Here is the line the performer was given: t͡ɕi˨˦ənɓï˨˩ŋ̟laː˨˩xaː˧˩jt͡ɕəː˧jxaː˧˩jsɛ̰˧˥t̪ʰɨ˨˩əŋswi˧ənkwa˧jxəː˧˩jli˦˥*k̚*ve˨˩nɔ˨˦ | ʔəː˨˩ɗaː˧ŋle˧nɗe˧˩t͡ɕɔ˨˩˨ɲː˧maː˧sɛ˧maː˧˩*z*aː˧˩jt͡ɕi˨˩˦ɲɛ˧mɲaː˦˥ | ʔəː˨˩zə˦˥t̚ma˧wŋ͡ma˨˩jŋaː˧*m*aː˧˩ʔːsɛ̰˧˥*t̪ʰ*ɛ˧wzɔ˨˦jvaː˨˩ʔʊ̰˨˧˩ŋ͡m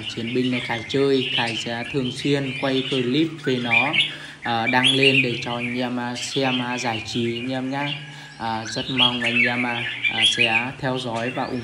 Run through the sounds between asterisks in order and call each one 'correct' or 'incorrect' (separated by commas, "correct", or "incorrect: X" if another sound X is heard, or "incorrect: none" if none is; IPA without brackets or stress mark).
incorrect: p̚, correct, correct, correct